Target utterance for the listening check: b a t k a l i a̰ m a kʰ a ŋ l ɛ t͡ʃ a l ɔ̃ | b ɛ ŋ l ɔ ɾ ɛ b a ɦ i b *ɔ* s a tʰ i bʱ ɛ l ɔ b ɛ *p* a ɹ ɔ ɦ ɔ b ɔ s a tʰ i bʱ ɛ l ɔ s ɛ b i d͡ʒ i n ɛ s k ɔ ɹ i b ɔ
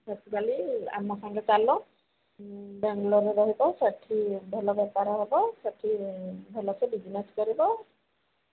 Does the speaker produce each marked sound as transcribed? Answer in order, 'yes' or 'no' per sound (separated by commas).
yes, yes